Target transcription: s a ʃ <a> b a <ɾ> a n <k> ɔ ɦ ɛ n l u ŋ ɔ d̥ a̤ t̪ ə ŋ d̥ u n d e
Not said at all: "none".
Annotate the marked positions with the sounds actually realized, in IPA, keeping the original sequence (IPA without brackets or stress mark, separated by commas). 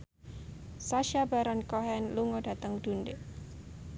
a, ɾ, k